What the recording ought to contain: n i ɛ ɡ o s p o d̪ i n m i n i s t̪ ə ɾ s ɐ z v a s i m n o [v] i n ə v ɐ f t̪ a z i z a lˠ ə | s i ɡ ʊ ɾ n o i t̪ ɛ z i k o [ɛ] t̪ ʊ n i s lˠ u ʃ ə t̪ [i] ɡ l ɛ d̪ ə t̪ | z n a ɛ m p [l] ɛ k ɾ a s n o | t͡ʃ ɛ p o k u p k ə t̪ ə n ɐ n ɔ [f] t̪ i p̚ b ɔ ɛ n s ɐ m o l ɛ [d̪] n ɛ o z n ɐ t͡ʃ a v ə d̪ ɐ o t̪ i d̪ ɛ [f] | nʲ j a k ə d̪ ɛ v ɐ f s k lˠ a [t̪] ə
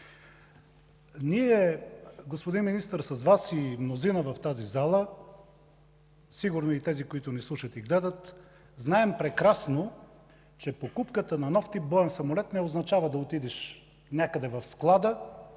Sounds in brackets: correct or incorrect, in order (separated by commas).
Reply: incorrect, incorrect, correct, incorrect, correct, incorrect, incorrect, incorrect